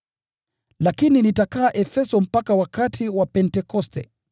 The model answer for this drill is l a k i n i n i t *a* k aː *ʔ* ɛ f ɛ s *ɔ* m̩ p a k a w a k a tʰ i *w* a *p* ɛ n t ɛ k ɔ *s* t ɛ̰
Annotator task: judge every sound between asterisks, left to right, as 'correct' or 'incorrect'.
correct, correct, correct, correct, correct, correct

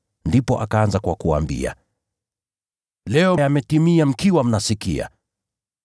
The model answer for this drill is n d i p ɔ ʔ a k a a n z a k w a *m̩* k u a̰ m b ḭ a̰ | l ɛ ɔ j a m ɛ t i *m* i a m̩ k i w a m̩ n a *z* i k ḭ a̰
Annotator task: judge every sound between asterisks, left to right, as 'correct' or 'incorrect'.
incorrect: none, correct, incorrect: s

